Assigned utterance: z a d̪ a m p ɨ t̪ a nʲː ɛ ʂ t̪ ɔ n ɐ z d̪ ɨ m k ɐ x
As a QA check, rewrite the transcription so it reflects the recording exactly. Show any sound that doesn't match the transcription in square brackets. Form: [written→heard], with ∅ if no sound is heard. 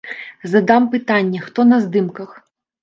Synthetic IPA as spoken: z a d̪ a m p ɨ t̪ a nʲː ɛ [ʂ→x] t̪ ɔ n ɐ z d̪ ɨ m k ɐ x